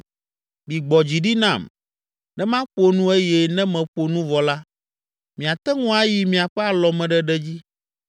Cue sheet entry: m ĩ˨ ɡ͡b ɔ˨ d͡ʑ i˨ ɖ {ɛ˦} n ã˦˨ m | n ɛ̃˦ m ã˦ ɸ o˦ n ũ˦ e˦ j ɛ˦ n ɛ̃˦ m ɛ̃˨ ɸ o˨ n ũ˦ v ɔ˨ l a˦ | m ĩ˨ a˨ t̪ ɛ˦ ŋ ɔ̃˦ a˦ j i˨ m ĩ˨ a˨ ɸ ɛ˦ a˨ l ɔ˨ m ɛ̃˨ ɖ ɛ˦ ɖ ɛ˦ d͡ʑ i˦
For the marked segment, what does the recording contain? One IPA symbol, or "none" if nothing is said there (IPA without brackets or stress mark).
i˦